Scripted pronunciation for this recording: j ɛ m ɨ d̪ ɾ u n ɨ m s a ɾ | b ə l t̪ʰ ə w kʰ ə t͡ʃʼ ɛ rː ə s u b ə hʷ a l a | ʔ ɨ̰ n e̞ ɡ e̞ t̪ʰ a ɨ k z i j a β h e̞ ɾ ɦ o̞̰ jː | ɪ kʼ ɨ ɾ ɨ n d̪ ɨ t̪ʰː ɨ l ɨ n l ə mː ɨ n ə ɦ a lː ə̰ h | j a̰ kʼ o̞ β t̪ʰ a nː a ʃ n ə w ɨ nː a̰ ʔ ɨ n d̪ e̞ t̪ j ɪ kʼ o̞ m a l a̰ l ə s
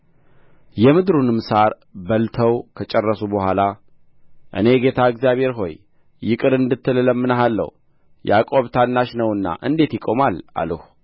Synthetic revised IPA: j ɛ m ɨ d̪ ɾ u n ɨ m s a ɾ | b ə l t̪ʰ ə w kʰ ə t͡ʃʼ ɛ rː ə s u b ə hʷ a l a | ʔ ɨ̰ n e̞ ɡ e̞ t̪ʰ a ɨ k z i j a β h e̞ ɾ ɦ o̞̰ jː | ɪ kʼ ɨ ɾ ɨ n d̪ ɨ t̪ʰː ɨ l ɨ l ə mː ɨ n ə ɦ a lː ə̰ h | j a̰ kʼ o̞ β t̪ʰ a nː a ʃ n ə w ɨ nː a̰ ʔ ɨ n d̪ e̞ t̪ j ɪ kʼ o̞ m a l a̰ l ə h